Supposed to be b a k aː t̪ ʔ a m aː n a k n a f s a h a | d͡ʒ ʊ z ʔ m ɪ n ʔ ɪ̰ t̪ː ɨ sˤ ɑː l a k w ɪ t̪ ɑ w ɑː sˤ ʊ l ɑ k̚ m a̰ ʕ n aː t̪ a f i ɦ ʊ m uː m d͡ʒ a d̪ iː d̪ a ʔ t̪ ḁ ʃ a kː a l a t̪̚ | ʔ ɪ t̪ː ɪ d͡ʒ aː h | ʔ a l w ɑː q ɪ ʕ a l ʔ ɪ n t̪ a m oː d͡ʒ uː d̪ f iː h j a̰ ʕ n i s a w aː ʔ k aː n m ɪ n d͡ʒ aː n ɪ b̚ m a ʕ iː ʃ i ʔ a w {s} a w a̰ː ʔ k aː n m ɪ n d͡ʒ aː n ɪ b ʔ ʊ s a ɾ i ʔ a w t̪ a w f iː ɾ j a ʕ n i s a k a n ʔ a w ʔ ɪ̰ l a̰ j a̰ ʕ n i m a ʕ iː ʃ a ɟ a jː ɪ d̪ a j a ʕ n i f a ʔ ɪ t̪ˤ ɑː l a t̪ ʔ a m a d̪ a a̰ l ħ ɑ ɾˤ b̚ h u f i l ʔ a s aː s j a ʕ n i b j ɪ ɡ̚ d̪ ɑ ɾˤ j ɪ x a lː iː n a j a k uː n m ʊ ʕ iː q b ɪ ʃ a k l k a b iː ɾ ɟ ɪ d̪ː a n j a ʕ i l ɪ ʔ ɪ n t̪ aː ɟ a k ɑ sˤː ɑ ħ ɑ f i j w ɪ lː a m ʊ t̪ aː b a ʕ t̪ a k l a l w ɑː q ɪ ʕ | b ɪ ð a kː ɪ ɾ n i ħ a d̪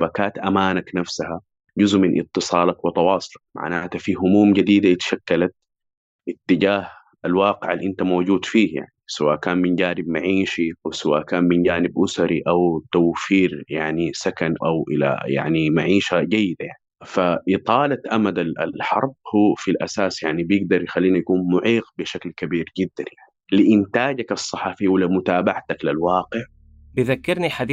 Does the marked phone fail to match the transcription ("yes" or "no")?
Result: no